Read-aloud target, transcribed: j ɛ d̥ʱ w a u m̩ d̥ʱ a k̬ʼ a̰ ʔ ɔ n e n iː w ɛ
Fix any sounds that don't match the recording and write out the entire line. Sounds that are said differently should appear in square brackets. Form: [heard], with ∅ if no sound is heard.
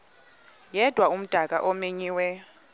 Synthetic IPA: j ɛ d̥ʱ w a u m̩ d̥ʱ a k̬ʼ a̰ ʔ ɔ [m] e [ɲ] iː w ɛ